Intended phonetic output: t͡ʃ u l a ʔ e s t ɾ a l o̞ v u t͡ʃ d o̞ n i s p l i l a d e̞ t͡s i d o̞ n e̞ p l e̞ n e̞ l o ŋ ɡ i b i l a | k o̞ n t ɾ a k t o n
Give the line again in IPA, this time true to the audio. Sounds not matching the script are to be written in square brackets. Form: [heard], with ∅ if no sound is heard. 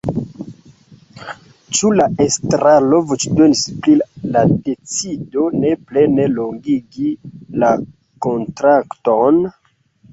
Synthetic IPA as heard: t͡ʃ u l a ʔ e s t ɾ a l o̞ v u t͡ʃ d o̞ n i s p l i l a d e̞ t͡s i d o̞ n e̞ p l e̞ n e̞ l o ŋ ɡ i [ɡ] i l a | k o̞ n t ɾ a k t o n